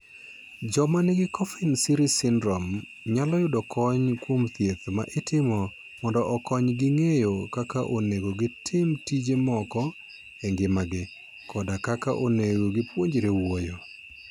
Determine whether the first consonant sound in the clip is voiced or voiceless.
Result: voiced